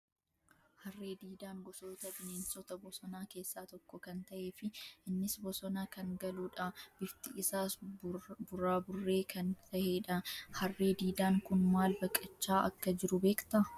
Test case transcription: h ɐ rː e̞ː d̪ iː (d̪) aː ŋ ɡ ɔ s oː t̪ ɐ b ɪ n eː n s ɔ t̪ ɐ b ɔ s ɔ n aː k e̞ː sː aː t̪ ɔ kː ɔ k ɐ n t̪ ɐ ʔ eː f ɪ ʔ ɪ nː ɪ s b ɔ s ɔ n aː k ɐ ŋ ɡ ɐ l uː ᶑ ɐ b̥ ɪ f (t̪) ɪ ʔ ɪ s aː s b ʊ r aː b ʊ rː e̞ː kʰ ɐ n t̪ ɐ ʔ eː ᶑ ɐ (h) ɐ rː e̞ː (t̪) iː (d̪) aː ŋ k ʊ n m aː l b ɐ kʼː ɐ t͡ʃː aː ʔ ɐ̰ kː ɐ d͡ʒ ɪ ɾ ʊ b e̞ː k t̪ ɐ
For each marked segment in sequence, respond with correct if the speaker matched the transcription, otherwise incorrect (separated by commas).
correct, correct, correct, incorrect, correct